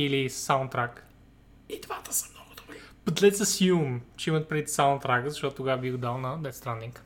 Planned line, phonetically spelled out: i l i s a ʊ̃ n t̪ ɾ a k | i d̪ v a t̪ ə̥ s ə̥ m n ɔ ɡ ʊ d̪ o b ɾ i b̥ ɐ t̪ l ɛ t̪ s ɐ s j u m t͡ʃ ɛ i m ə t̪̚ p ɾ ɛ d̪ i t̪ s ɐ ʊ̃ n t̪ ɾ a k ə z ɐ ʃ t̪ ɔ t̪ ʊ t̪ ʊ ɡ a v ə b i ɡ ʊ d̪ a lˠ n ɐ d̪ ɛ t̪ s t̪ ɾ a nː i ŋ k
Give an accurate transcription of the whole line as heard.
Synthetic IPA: i l i s a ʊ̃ n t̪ ɾ a k | i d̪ v a t̪ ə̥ s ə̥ m n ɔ ɡ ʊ d̪ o b ɾ i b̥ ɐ t̪ l ɛ t̪ s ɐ s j u m t͡ʃ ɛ i m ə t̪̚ p ɾ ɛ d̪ i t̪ s a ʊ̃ n t̪ ɾ a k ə z ɐ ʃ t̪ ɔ t̪ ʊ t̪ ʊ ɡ a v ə b i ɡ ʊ d̪ a lˠ n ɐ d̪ ɛ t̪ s t̪ ɾ a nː i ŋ k